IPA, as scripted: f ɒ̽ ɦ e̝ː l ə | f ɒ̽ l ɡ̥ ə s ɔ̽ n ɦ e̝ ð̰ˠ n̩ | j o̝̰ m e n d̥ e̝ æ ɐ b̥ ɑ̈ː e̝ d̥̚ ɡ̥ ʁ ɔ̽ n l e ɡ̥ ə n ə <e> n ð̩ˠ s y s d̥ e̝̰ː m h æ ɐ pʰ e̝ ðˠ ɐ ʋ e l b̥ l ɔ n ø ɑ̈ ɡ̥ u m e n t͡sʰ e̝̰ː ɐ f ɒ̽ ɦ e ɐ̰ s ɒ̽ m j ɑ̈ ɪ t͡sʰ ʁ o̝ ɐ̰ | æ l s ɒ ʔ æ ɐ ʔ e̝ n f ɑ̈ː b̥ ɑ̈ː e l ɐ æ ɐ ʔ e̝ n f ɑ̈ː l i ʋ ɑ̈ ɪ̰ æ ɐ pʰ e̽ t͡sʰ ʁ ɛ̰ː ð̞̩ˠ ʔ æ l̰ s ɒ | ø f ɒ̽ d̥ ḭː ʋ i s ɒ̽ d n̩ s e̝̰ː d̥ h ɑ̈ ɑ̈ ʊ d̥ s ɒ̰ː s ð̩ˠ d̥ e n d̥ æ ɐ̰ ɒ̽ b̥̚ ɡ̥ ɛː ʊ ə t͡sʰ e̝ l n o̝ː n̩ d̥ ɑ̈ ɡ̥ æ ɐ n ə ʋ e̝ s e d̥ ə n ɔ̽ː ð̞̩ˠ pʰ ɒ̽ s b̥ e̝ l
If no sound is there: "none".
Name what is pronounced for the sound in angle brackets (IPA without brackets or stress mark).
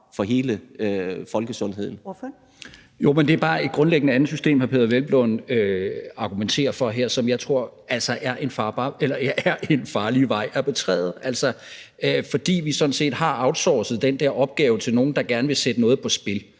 æ